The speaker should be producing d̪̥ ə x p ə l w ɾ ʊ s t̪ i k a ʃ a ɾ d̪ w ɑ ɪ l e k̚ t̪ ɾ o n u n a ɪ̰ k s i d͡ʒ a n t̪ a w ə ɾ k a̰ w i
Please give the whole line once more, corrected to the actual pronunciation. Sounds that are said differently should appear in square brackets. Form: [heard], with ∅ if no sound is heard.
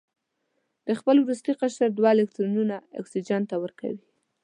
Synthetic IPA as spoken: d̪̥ ə x p ə l w ɾ [u] s t̪ i [q] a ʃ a ɾ d̪ w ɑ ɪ l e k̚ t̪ ɾ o n u n a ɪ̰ k s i d͡ʒ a n t̪ a w ə ɾ k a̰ w i